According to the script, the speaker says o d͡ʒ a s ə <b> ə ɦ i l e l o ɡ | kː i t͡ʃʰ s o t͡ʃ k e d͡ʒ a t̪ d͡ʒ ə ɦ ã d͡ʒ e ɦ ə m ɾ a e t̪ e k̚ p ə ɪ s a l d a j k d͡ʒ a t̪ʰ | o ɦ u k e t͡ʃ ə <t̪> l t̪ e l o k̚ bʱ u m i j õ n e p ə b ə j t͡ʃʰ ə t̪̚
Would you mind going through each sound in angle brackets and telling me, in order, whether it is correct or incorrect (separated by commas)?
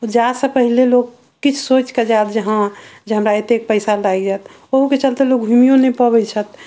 incorrect, incorrect